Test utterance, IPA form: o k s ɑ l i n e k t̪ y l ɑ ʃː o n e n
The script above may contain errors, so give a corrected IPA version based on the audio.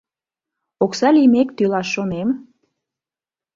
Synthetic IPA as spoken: o k s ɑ l i m e k t̪ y l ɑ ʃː o n e m

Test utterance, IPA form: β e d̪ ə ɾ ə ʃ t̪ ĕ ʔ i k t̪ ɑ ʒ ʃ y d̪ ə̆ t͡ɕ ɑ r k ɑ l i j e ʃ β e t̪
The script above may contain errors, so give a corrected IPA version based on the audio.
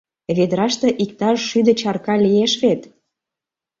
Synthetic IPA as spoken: β e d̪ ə ɾ ɑ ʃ t̪ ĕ ʔ i k t̪ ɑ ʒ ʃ y d̪ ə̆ t͡ɕ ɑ r k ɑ l i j e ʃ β e t̪

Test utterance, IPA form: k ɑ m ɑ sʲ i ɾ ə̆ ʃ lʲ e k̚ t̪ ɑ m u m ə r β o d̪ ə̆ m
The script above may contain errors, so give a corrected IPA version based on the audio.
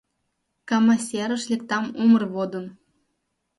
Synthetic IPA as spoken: k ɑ m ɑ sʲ e ɾ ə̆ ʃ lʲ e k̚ t̪ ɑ m u m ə r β o d̪ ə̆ n

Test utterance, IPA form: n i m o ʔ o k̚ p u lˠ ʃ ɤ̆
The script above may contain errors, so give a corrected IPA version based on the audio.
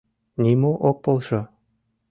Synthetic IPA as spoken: n i m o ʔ o k̚ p o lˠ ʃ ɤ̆

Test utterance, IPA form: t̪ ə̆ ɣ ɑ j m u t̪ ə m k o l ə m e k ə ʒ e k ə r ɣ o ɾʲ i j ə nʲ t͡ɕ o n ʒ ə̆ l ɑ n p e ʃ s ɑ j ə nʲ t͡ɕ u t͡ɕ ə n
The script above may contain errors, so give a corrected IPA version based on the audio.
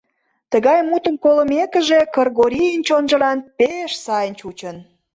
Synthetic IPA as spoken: t̪ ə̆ ɣ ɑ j m u t̪ ə m k o l ə m e k ə ʒ e k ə r ɣ o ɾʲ i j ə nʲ t͡ɕ o n ʒ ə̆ l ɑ n p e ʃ s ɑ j ə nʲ t͡ɕ u t͡ɕ ə n

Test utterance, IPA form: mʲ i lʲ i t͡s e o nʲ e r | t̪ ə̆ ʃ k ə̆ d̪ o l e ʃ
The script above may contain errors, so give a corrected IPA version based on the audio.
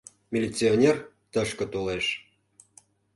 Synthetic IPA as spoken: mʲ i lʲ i t͡s i o nʲ e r | t̪ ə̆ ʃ k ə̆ t̪ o l e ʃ

